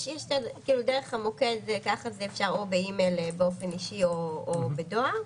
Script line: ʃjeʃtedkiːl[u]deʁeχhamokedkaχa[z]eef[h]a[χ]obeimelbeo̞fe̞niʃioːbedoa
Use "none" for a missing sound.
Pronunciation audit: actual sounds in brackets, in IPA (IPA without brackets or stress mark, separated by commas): u, z, ʃ, ʁ